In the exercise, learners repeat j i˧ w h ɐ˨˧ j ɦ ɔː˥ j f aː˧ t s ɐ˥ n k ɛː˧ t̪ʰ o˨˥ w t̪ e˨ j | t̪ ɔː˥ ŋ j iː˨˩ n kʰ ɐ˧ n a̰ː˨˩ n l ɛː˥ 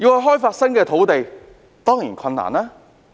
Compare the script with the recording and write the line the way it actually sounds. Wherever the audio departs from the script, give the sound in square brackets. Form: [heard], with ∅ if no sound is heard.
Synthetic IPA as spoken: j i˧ w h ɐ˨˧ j ɦ ɔː˥ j f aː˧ t s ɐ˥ n k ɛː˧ t̪ʰ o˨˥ w t̪ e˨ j | t̪ ɔː˥ ŋ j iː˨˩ n kʰ ɐ˧ n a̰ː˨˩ n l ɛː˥